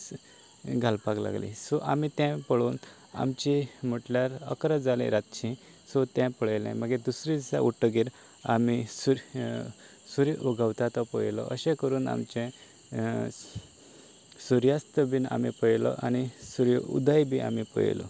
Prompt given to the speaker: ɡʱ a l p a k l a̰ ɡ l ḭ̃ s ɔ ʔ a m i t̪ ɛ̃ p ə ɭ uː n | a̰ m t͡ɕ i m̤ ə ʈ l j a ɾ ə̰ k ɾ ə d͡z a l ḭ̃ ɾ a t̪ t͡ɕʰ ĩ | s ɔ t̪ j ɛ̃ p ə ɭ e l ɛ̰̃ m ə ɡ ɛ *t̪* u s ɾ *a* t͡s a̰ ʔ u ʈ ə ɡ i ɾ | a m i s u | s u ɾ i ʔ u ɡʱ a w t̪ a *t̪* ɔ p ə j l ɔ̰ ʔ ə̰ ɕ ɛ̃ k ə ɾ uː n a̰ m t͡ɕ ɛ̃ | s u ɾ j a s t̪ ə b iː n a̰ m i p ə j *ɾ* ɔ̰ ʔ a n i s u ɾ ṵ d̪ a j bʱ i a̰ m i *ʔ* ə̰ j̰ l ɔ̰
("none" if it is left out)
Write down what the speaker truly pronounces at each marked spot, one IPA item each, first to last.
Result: d̪, i, t̪, l, p

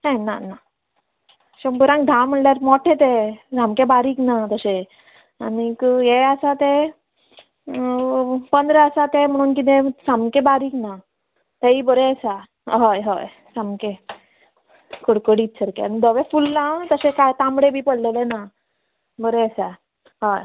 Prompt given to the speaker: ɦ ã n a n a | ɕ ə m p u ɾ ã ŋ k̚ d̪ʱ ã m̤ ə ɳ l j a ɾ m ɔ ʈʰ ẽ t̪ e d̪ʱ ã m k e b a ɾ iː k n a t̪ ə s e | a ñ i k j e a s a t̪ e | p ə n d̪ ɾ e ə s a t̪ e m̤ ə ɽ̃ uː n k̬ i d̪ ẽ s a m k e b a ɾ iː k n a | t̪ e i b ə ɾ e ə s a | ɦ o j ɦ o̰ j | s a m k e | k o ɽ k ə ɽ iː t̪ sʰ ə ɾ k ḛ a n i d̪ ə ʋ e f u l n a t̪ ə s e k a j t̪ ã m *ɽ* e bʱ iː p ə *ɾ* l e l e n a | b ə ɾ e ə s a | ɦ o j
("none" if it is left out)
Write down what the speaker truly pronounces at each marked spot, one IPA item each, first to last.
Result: ɽ, ɽ

